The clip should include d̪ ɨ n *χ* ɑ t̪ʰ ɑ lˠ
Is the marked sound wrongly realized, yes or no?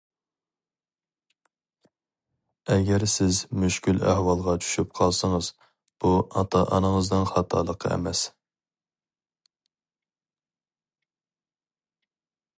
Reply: no